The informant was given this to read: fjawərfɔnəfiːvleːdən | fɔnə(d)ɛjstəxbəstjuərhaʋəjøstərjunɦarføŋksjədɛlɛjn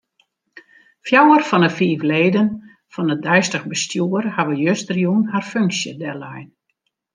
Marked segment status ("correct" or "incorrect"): correct